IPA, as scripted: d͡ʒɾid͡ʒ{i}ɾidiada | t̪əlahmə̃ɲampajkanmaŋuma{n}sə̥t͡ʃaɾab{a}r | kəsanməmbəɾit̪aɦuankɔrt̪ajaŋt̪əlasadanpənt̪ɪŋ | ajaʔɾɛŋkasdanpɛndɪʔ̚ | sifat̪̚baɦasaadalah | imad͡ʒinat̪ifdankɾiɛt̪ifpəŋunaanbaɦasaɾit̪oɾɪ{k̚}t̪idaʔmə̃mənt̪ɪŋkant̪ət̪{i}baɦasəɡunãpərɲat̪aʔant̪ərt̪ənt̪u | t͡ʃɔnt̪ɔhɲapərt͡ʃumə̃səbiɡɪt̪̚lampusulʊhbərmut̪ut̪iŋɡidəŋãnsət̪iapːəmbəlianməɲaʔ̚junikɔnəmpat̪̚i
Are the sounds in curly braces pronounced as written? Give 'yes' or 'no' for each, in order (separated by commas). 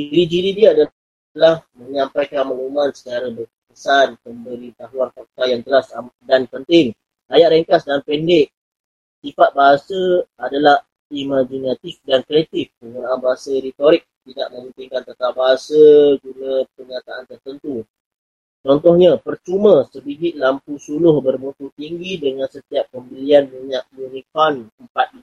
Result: yes, yes, no, yes, no